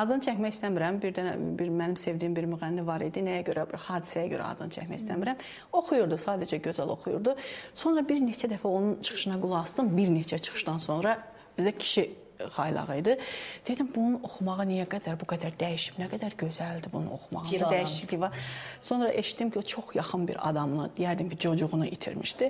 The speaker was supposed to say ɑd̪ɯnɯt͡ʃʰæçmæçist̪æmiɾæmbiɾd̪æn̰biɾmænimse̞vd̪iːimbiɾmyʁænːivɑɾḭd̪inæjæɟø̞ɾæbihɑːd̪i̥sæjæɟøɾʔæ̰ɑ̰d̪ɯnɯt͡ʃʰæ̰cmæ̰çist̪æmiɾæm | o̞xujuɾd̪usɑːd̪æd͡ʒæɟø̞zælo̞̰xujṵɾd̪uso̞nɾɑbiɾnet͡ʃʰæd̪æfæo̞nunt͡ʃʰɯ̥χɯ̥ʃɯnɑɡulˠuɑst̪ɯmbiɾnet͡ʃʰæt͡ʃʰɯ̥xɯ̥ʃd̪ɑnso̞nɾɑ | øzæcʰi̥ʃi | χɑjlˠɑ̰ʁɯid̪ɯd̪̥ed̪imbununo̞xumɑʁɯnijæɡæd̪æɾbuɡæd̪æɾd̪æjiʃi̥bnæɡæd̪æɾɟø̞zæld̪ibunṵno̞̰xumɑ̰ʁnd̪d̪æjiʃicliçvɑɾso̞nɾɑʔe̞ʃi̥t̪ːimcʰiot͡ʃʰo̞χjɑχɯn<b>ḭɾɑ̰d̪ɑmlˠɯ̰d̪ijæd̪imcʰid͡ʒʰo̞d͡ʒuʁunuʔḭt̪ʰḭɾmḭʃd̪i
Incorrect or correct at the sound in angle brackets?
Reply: correct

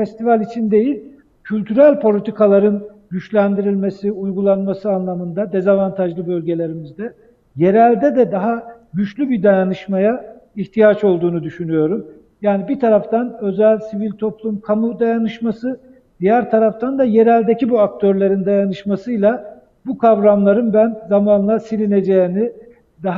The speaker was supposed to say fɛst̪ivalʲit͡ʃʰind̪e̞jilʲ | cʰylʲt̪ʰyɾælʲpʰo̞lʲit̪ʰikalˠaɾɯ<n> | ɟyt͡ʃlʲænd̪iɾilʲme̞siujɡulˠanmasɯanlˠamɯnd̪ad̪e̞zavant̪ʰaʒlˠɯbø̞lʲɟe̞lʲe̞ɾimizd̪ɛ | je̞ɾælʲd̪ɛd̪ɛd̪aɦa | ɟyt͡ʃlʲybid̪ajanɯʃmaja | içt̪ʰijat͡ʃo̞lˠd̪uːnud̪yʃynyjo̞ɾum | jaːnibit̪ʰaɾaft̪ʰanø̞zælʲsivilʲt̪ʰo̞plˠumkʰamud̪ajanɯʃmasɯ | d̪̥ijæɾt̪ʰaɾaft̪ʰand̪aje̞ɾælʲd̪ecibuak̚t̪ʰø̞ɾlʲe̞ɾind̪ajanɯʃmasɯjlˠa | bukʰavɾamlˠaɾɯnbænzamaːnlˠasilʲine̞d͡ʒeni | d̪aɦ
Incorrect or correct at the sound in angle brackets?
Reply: correct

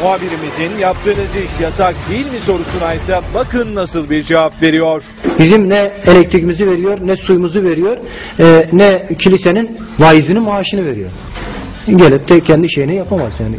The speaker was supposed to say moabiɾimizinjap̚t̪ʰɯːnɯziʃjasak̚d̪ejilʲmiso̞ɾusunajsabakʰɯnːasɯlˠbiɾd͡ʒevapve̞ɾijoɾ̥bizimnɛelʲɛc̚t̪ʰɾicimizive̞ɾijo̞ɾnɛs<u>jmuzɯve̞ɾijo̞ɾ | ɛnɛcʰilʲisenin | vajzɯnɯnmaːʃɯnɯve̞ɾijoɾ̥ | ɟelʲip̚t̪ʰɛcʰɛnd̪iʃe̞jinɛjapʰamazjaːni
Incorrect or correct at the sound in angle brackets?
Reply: correct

